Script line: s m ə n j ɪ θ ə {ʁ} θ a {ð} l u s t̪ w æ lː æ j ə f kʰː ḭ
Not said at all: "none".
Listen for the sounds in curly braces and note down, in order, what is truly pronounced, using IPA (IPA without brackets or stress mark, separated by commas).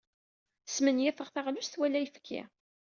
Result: ʁ, ʁ